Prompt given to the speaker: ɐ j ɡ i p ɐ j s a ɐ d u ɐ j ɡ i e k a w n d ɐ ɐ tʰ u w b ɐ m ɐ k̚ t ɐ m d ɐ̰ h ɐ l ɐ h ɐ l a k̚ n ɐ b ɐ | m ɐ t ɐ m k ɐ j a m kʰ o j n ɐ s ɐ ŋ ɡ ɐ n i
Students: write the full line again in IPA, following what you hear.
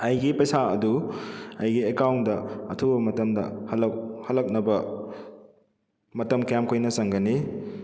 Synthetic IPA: ɐ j ɡ i p ɐ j s a ɐ d u ɐ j ɡ i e k a w n d ɐ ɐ tʰ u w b ɐ m ɐ t ɐ m d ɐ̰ h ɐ l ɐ h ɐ l ɐ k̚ n ɐ b ɐ | m ɐ t ɐ m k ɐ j a m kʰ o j n ɐ s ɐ ŋ ɡ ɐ n i

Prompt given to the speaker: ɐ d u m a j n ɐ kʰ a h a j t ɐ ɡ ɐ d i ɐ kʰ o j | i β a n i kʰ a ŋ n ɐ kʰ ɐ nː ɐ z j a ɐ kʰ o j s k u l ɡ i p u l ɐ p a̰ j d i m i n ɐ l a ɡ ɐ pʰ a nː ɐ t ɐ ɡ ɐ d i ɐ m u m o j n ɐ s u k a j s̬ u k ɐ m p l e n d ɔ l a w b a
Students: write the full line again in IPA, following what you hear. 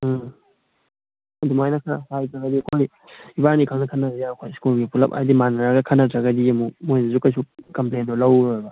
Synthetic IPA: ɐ d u m a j n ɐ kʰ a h a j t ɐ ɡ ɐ d i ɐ kʰ o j | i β a n i kʰ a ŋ n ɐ kʰ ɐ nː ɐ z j a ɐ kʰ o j s k u l ɡ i p u l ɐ p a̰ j d i m a n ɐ ɾ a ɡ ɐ kʰ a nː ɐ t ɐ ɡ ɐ d i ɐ m u m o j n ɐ z u k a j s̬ u k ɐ m p l e n d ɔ l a w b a

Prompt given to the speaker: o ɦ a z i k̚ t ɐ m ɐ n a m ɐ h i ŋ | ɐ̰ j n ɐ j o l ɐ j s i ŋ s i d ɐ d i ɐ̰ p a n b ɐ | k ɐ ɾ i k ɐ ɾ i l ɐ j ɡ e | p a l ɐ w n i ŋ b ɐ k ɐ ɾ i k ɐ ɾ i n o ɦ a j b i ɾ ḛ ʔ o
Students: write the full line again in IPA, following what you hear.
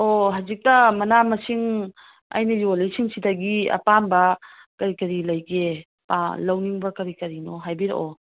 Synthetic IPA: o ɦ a z i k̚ t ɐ m ɐ n a m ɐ s i ŋ | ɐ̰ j n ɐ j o l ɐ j s i ŋ s i d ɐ ɡ i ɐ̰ p a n b ɐ | k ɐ ɾ i k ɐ ɾ i l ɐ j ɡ e | p a l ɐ w n i ŋ b ɐ k ɐ ɾ i k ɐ ɾ i n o ɦ a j b i ɾ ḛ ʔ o

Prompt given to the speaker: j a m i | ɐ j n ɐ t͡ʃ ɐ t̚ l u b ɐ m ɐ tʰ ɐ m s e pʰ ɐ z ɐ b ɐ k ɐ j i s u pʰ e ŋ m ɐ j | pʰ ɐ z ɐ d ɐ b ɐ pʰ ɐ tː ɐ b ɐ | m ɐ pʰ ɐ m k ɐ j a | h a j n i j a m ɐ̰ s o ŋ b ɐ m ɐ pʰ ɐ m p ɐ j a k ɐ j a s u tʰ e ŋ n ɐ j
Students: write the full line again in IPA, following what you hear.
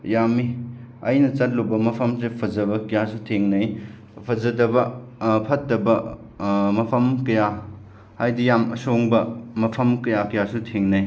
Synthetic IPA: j a m i | ɐ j n ɐ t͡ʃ ɐ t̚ l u b ɐ m ɐ pʰ ɐ m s e pʰ ɐ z ɐ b ɐ k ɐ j a s u tʰ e ŋ n ɐ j | pʰ ɐ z ɐ d ɐ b ɐ pʰ ɐ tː ɐ b ɐ | m ɐ pʰ ɐ m k ɐ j a | h a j d i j a m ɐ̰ s o ŋ b ɐ m ɐ pʰ ɐ m k ɐ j a k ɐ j a s u tʰ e ŋ n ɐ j

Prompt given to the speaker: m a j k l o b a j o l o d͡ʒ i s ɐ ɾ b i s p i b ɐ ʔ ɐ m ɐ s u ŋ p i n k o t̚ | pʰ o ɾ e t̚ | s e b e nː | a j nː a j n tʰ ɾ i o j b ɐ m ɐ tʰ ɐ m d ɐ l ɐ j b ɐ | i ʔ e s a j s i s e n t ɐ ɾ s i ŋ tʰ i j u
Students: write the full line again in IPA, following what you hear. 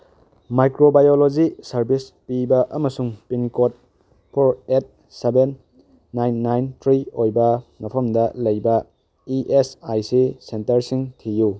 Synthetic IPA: m a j k ɾ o b a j o l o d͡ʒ i s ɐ ɾ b i s p i b ɐ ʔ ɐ m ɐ s u ŋ p i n k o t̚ | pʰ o ɾ e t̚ | s e b e nː | a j nː a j n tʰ ɾ i o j b ɐ m ɐ pʰ ɐ m d ɐ l ɐ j b ɐ | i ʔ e s a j s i s e n t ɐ ɾ s i ŋ tʰ i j u

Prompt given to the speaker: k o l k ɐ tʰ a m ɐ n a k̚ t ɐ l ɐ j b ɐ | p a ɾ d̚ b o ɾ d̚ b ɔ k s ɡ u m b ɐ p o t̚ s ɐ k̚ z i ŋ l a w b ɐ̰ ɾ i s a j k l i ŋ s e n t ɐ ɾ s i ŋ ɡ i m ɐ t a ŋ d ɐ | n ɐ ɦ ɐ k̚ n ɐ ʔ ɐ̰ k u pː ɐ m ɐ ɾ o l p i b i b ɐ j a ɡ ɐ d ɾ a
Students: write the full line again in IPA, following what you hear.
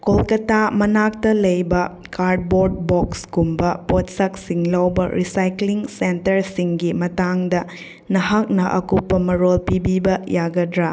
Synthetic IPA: k o l k ɐ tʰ a m ɐ n a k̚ t ɐ l ɐ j b ɐ | k a ɾ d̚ b o ɾ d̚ b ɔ k s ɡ u m b ɐ p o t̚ s ɐ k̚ s i ŋ l a w b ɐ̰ ɾ i s a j k l i ŋ s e n t ɐ ɾ s i ŋ ɡ i m ɐ t a ŋ d ɐ | n ɐ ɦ ɐ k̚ n ɐ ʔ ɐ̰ k u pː ɐ m ɐ ɾ o l p i b i b ɐ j a ɡ ɐ d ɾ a

